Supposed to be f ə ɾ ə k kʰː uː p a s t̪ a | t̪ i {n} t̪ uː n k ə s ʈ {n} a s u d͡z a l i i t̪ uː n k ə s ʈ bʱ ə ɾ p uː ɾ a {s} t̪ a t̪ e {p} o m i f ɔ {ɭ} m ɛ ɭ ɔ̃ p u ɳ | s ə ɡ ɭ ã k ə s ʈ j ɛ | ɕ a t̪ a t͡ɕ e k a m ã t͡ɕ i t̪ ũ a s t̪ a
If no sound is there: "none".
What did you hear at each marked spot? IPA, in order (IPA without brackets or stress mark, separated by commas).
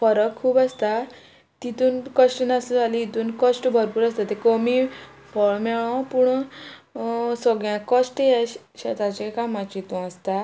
none, n, s, k, ɭ